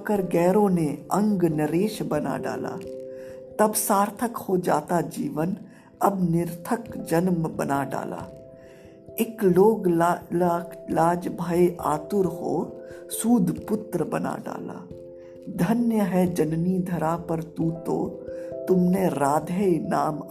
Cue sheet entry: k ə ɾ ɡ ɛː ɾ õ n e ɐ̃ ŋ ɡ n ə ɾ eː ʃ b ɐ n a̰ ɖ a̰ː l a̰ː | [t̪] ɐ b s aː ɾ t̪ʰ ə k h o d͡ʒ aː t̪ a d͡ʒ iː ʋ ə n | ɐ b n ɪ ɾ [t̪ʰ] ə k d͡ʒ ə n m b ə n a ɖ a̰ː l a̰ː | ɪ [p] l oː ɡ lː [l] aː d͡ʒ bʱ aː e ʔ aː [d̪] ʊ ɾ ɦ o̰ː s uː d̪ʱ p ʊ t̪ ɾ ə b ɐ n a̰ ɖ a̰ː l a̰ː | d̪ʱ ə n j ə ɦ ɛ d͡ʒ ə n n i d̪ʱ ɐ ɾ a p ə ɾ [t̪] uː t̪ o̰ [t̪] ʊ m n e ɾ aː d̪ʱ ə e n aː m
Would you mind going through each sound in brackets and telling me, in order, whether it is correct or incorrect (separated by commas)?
correct, correct, incorrect, correct, incorrect, correct, correct